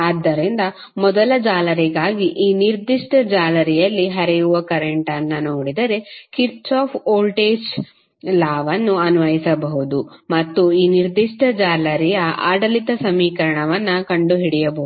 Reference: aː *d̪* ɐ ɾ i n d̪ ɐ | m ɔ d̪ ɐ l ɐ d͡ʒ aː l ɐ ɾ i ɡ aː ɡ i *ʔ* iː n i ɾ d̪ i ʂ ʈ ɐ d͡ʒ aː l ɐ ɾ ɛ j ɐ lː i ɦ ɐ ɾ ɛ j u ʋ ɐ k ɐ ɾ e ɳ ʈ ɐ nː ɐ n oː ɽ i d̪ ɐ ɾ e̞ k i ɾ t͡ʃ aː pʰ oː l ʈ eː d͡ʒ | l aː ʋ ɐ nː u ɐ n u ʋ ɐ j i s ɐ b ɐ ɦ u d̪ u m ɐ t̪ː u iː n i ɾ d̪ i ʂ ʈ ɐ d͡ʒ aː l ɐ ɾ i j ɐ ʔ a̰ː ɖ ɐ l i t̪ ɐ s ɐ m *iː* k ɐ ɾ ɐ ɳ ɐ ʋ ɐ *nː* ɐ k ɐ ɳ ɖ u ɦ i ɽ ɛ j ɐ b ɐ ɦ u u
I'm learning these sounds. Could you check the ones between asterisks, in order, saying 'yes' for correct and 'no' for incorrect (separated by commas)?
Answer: no, yes, yes, yes